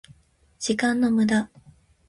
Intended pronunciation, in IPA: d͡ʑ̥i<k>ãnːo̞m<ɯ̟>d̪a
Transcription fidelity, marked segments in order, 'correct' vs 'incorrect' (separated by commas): correct, correct